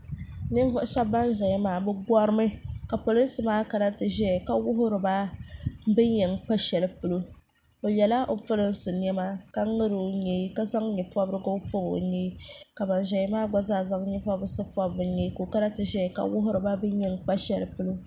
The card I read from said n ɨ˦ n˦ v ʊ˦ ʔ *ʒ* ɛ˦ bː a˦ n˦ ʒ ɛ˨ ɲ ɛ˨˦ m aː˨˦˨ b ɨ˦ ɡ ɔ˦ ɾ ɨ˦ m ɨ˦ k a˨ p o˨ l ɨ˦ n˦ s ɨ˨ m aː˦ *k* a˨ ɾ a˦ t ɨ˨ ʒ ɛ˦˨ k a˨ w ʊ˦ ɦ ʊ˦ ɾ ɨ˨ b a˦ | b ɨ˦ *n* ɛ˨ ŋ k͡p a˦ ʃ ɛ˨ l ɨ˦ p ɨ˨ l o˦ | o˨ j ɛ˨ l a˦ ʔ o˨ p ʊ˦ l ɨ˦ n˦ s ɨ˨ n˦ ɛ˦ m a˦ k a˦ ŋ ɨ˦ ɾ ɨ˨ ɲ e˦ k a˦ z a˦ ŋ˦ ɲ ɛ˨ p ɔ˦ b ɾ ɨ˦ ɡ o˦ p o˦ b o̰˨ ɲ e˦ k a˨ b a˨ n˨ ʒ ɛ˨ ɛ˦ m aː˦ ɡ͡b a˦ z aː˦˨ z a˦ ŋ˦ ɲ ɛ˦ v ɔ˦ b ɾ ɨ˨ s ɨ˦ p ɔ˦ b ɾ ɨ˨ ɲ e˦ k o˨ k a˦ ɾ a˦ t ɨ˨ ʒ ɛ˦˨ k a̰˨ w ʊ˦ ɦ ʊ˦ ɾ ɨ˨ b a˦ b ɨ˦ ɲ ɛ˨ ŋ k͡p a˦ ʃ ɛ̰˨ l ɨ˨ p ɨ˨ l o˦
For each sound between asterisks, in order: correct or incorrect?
incorrect, correct, incorrect

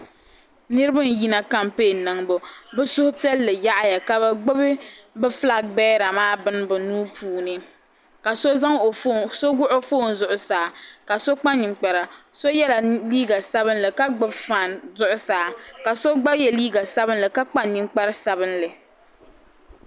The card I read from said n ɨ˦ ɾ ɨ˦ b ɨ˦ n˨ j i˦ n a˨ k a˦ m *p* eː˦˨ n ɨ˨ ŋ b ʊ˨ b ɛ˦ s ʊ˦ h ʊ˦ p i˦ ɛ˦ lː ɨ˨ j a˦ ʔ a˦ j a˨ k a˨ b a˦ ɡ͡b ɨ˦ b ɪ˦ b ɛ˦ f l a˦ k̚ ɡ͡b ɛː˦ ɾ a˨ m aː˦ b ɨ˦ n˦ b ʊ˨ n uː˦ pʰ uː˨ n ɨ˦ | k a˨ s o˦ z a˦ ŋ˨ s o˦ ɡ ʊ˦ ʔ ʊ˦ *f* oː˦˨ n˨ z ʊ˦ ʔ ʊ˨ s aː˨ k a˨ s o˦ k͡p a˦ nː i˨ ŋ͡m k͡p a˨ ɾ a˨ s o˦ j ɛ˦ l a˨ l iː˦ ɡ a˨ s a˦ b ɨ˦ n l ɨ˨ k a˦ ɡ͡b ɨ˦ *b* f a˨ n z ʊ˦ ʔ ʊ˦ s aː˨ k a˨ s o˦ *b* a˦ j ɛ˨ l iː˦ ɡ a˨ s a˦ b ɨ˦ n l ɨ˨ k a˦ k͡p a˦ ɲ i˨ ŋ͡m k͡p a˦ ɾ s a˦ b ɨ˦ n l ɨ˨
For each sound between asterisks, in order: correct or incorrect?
correct, correct, correct, incorrect

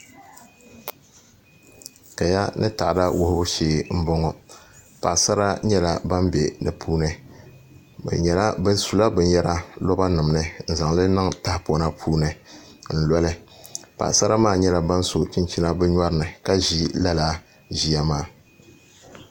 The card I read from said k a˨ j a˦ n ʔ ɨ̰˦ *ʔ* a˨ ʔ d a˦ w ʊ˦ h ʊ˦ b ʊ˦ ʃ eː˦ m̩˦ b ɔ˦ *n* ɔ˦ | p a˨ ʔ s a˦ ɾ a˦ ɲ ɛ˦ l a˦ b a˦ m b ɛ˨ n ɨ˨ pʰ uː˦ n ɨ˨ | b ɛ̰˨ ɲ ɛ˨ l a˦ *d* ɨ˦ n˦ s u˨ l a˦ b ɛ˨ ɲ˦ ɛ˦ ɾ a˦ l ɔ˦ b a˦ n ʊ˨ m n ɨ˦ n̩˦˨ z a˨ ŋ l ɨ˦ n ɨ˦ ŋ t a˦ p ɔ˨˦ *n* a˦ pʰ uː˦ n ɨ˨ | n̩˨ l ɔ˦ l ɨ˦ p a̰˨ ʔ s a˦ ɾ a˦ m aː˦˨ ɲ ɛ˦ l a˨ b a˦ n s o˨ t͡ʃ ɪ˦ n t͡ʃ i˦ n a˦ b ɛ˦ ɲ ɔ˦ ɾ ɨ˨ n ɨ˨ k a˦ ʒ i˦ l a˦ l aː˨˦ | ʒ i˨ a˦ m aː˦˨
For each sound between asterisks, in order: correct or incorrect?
incorrect, incorrect, incorrect, correct

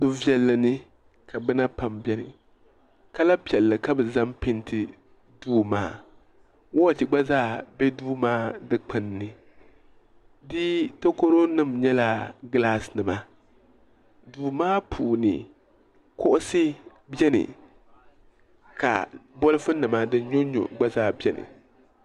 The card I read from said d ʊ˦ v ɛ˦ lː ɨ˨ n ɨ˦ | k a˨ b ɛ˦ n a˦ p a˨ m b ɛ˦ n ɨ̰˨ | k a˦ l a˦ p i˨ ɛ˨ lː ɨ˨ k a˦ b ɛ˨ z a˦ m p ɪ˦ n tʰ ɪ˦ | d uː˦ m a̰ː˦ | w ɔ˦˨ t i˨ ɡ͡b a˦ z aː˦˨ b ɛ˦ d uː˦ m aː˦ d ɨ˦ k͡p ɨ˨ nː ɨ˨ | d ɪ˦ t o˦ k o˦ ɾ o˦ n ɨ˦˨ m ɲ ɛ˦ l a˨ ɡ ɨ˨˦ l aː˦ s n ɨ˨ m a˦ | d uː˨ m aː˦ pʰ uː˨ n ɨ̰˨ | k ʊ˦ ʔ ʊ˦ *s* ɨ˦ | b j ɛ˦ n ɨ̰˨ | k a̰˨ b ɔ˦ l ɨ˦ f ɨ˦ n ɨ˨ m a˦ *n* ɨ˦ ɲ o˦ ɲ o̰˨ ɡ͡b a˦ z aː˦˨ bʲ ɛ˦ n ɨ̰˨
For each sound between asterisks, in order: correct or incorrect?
correct, incorrect

